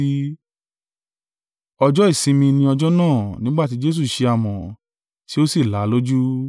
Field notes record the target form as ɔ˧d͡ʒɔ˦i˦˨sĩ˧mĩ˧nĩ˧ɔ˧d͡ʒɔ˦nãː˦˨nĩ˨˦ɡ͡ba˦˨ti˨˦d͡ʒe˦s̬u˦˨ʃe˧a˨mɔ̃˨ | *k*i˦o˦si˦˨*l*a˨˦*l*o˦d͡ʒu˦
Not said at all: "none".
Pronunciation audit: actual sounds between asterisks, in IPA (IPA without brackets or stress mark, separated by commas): t, l, l